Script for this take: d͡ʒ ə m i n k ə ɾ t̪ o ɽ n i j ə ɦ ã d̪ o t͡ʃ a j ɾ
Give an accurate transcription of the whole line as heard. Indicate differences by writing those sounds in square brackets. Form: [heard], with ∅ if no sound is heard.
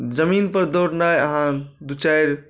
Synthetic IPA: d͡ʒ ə m i n [p] ə ɾ [d̪] o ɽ n [a] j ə ɦ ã d̪ [u] t͡ʃ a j ɾ